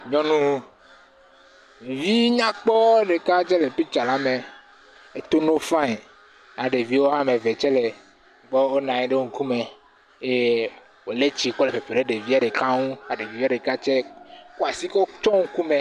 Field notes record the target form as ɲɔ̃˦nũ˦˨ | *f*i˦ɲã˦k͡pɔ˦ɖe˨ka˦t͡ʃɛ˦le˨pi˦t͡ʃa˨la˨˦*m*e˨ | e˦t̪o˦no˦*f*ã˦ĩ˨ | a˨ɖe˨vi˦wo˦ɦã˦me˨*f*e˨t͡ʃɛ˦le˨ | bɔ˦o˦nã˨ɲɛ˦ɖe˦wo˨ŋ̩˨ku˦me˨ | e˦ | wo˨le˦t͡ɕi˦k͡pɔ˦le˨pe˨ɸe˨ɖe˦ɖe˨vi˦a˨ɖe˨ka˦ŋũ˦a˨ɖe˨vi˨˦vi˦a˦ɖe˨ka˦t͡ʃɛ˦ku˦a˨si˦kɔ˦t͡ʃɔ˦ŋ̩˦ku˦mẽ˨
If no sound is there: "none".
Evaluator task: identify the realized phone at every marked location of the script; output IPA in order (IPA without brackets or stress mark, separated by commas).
v, m, f, v